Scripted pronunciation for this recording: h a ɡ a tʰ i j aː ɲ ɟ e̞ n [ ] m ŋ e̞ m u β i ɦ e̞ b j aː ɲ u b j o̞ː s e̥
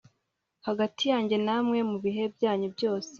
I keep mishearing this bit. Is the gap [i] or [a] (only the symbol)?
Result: a